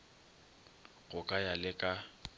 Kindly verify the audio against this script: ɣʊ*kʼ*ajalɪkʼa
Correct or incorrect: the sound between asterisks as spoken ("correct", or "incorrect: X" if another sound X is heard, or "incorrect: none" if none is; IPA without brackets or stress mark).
correct